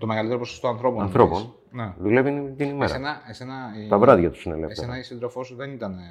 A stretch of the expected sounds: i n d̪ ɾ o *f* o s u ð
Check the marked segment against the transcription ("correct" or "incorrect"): correct